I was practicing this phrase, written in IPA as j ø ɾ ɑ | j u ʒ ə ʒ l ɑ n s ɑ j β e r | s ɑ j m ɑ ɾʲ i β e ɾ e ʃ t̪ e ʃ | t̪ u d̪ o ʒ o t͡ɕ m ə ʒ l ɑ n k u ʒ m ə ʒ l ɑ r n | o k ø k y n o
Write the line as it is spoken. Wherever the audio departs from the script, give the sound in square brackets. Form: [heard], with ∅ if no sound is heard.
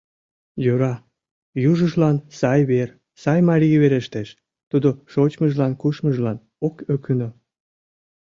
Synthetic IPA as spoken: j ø ɾ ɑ | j u ʒ ə ʒ l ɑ n s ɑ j β e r | s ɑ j m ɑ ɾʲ i β e ɾ e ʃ t̪ e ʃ | t̪ u d̪ o [ʃ] o t͡ɕ m ə ʒ l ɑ n k u [ʃ] m ə ʒ l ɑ [∅] n | o k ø k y n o